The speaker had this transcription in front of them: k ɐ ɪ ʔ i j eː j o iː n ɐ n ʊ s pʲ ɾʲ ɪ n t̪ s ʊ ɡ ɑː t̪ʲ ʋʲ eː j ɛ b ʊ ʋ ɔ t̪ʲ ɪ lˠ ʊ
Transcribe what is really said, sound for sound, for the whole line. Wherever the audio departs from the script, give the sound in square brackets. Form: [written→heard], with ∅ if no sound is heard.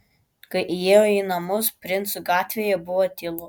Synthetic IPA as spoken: k ɐ ɪ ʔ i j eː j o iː n ɐ [n→m] ʊ s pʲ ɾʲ ɪ n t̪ s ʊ ɡ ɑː t̪ʲ ʋʲ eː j ɛ b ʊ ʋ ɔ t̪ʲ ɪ lˠ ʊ

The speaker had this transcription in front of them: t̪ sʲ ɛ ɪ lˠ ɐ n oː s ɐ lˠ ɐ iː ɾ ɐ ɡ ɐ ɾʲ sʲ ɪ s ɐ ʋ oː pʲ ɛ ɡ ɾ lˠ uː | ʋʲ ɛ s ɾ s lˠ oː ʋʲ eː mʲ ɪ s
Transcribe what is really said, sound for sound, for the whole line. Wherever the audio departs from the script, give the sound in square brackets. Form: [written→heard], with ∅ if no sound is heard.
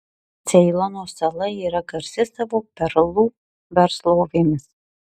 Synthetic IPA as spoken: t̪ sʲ ɛ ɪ lˠ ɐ n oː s ɐ lˠ ɐ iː ɾ ɐ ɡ ɐ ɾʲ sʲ ɪ s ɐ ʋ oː pʲ ɛ [ɡ→∅] ɾ lˠ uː | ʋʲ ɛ [s→∅] ɾ s lˠ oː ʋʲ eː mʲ ɪ s

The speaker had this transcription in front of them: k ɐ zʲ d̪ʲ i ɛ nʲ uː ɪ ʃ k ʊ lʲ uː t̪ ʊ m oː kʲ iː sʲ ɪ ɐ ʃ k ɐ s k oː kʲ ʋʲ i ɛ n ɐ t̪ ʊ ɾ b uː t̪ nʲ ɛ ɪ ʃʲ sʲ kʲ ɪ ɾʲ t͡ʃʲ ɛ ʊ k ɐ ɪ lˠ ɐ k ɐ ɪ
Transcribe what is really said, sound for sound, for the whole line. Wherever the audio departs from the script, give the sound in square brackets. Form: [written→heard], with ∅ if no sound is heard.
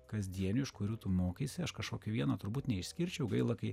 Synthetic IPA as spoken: k ɐ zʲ d̪ʲ i ɛ nʲ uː ɪ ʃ k ʊ [lʲ→ɾʲ] uː t̪ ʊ m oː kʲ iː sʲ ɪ ɐ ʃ k ɐ [s→ʃ] k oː kʲ ʋʲ i ɛ n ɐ t̪ ʊ ɾ b uː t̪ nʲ ɛ ɪ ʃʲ sʲ kʲ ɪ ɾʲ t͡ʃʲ ɛ ʊ [k→ɡ] ɐ ɪ lˠ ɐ k ɐ ɪ

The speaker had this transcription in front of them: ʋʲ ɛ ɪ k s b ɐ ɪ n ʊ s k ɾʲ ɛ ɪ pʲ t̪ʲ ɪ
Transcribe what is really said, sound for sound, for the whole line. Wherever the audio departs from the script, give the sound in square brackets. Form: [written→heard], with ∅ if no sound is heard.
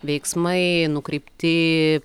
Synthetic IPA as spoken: ʋʲ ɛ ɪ k s [b→m] ɐ ɪ n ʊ [s→∅] k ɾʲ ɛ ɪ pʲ t̪ʲ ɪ

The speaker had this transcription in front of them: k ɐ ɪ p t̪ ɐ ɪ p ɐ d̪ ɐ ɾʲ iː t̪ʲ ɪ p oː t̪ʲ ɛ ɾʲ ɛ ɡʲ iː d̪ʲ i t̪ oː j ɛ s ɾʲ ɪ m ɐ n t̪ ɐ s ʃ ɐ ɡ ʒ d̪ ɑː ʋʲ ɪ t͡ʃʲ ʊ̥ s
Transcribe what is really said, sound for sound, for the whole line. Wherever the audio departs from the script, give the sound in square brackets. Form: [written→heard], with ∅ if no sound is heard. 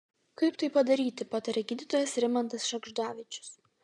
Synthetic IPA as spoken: k ɐ ɪ p t̪ ɐ ɪ p ɐ d̪ ɐ ɾʲ iː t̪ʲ ɪ p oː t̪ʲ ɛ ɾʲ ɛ ɡʲ iː d̪ʲ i t̪ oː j ɛ s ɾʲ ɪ m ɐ n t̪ ɐ s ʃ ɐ ɡ ʒ d̪ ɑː ʋʲ ɪ t͡ʃʲ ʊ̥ s

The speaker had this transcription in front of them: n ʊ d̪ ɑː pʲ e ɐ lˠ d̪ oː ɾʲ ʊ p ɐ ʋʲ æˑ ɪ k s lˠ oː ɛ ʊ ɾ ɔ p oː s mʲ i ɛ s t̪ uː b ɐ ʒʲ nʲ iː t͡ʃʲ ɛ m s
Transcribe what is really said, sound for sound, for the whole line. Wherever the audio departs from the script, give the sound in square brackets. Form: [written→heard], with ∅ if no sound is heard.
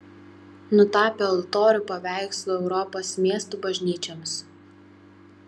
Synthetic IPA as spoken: n ʊ [d̪→t̪] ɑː pʲ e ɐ lˠ [d̪→t̪] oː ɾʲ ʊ p ɐ ʋʲ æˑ ɪ k s lˠ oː ɛ ʊ ɾ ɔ p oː s mʲ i ɛ s t̪ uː b ɐ ʒʲ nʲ iː t͡ʃʲ ɛ m s

